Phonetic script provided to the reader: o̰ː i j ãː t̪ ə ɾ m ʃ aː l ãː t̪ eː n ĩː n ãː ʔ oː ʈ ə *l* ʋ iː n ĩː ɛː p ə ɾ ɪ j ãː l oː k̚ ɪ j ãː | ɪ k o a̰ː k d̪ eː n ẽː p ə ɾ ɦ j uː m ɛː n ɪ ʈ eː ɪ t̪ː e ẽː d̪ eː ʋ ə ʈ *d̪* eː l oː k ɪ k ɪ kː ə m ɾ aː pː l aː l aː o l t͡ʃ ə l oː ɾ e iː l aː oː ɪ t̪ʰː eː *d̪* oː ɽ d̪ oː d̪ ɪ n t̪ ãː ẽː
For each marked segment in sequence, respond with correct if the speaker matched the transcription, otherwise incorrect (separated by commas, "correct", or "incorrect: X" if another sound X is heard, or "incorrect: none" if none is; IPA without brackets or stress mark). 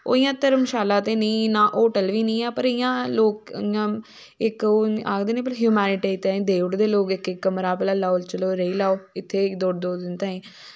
correct, correct, correct